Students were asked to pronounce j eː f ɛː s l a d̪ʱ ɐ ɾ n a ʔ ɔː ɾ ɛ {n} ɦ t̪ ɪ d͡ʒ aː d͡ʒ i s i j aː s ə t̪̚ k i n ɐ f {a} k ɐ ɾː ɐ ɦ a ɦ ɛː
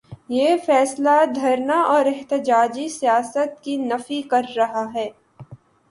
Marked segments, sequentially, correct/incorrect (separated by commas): incorrect, incorrect